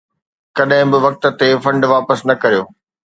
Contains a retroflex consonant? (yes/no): yes